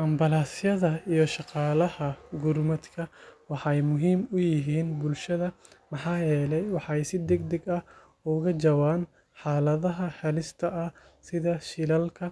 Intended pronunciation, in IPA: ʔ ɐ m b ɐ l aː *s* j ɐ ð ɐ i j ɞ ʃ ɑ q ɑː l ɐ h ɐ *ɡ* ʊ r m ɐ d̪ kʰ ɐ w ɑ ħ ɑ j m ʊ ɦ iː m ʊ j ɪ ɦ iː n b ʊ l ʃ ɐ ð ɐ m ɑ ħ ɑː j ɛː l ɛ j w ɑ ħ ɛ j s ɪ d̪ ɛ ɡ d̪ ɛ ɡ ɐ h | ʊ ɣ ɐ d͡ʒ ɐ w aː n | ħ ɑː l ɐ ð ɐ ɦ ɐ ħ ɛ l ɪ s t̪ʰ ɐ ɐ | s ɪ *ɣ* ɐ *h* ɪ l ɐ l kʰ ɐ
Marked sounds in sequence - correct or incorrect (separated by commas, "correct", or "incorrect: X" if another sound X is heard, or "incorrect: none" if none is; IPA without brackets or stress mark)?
correct, correct, incorrect: ð, incorrect: ʃ